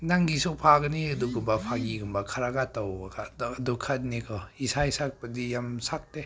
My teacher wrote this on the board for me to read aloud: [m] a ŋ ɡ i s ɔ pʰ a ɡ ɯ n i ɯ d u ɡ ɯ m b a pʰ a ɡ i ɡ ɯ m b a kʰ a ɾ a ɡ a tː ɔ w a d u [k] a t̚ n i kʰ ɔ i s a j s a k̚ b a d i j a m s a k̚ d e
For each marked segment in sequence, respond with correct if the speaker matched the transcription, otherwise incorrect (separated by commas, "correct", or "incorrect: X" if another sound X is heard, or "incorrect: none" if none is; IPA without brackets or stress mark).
incorrect: n, incorrect: kʰ